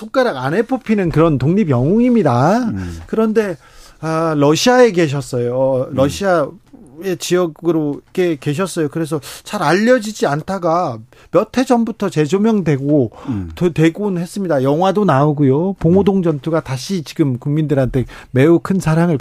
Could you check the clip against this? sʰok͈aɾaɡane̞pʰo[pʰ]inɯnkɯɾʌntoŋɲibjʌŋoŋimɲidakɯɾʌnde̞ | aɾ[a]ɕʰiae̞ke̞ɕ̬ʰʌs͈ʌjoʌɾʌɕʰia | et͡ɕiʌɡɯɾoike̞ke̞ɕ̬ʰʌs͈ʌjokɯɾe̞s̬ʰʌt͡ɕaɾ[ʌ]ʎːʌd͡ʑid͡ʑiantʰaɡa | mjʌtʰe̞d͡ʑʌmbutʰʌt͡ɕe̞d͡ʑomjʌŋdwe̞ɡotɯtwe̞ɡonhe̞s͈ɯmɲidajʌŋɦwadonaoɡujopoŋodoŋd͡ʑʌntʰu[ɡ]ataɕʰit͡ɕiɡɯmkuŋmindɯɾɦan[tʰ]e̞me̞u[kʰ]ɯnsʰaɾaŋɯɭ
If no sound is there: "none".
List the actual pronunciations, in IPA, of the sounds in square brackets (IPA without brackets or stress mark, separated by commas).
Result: pʰ, ʌ, a, ɡ, tʰ, kʰ